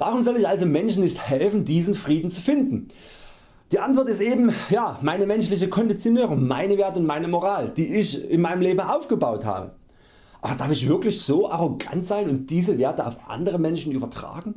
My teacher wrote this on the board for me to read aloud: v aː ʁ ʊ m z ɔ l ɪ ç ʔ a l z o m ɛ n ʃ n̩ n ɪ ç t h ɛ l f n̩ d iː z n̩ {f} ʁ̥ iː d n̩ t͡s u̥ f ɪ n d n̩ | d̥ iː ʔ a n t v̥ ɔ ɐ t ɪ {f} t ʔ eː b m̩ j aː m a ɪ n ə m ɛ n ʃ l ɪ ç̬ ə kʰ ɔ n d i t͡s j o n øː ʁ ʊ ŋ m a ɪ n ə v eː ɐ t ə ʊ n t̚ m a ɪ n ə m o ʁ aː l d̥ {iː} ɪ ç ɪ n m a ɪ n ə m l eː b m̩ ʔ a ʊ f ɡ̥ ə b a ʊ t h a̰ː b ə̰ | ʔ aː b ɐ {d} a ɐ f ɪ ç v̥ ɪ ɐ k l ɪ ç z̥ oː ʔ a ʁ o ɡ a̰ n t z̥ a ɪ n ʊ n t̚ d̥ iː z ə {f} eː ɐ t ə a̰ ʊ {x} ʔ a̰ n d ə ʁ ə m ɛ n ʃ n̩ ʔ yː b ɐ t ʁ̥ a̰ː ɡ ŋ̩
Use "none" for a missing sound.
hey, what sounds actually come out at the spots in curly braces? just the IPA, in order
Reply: f, s, iː, d, v, f

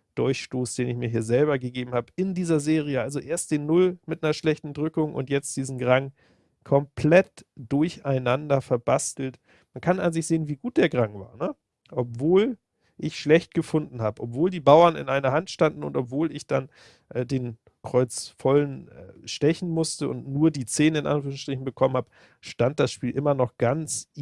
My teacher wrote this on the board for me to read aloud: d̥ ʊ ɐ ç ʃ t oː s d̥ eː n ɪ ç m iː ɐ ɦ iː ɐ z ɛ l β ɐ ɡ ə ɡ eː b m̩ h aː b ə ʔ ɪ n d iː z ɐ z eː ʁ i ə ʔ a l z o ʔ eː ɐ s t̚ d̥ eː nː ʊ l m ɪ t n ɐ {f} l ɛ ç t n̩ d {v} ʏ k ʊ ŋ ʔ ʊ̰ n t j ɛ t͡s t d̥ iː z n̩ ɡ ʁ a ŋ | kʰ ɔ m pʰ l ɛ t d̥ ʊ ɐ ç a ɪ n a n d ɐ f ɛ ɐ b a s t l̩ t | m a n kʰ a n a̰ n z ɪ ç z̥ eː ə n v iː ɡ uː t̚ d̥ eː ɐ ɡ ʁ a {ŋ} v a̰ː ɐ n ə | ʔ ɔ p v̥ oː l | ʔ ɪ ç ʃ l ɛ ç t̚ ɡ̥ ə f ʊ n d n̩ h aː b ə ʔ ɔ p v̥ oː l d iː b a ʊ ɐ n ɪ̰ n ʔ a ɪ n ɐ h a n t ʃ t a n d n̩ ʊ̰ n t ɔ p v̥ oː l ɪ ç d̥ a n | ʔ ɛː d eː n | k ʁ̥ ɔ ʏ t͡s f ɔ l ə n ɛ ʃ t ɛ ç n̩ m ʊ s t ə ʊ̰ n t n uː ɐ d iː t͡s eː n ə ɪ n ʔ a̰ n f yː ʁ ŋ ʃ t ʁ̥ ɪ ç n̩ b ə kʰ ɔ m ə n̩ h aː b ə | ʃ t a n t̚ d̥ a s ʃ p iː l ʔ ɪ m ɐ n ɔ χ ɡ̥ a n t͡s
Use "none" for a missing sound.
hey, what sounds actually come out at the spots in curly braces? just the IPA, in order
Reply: ʃ, ʁ, ŋ

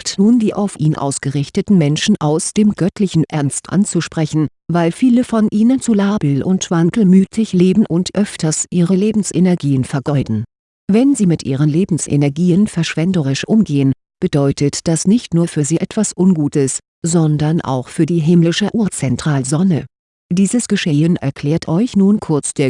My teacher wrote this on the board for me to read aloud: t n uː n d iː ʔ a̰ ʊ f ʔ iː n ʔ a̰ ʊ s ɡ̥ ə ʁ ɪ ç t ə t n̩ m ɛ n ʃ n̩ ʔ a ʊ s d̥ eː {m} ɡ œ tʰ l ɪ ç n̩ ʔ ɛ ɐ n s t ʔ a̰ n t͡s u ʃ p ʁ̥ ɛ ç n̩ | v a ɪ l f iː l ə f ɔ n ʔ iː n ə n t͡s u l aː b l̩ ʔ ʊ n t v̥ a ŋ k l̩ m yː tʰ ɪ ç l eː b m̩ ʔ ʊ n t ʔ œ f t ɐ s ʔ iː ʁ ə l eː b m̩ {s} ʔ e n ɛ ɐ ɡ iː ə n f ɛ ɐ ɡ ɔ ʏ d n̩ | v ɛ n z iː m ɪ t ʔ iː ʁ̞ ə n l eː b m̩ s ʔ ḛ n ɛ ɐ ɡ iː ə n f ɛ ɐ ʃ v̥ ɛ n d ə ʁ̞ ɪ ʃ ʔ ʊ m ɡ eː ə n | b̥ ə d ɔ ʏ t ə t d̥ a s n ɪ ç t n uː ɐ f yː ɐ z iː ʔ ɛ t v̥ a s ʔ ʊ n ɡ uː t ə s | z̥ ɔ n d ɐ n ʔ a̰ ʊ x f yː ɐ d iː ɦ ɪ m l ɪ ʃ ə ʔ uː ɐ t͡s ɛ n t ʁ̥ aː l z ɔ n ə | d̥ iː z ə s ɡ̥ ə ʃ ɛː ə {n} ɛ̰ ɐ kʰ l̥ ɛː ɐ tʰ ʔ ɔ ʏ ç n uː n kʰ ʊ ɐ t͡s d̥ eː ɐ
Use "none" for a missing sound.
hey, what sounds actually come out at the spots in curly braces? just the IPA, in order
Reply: m, s, n

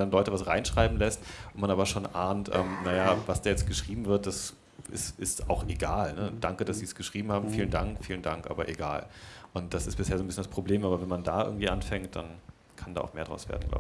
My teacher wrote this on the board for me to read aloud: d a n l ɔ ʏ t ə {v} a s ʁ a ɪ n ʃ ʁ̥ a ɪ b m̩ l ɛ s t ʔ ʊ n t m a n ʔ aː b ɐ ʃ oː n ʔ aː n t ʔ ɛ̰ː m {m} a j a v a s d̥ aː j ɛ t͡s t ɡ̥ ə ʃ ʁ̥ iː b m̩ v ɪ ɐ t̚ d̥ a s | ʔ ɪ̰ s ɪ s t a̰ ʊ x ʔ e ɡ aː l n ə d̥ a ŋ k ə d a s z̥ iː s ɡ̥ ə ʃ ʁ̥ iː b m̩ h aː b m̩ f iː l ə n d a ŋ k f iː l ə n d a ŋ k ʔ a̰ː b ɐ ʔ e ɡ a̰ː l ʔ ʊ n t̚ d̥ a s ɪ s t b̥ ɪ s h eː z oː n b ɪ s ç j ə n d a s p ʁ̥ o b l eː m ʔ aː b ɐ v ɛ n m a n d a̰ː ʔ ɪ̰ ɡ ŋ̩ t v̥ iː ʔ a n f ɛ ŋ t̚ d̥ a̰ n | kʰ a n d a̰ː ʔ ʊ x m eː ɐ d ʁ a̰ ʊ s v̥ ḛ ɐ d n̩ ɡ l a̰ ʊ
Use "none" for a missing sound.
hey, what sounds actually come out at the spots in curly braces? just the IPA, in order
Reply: v, n

